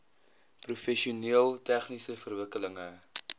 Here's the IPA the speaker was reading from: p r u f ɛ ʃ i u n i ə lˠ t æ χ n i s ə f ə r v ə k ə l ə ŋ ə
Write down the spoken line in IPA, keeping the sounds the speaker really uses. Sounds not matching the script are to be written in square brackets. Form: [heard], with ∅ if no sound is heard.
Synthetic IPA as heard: p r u f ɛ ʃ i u n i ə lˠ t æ χ n i s ə f ə r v ə k ə l ə ŋ ə

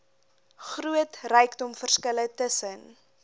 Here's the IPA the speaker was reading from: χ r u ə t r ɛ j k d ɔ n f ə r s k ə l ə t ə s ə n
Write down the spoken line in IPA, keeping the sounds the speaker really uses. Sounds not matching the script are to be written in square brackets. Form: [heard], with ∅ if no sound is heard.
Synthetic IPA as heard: χ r u ə t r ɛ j k d ɔ [m] f ə r s k ə l ə t ə s ə n

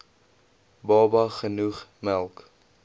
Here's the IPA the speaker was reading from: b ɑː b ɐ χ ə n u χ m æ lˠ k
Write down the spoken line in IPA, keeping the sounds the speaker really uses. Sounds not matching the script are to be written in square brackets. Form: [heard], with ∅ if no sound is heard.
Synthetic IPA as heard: b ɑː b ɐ χ ə n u χ m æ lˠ k

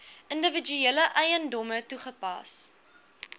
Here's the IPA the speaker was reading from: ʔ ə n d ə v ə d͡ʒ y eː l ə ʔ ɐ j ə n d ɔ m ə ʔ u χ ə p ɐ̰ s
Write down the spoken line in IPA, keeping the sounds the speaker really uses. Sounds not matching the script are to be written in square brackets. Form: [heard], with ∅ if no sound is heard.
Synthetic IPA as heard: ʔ ə n d ə v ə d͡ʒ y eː l ə ʔ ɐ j ə n d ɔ m ə [t] u χ ə p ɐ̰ s

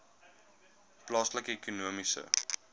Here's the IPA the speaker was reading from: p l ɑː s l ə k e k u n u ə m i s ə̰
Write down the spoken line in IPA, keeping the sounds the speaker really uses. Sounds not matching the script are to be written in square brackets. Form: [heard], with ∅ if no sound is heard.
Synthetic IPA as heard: p l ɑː s l ə k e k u n u ə m i s ə̰

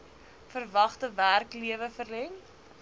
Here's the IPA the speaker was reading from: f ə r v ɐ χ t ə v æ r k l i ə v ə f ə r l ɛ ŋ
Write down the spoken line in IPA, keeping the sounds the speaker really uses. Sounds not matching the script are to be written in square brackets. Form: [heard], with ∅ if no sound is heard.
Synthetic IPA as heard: f ə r v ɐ χ t ə v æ r k l i ə v ə f ə r l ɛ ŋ

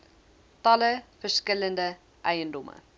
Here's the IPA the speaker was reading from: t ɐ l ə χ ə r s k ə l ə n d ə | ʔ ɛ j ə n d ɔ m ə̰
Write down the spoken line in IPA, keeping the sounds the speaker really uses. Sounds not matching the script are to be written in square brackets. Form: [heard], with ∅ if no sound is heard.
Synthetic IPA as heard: t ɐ l ə [f] ə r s k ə l ə n d ə | ʔ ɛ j ə n d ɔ m ə̰

